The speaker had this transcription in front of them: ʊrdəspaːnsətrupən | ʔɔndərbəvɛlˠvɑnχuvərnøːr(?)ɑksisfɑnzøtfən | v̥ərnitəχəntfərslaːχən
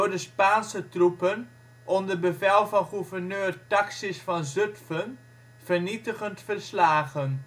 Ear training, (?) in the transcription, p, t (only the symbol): t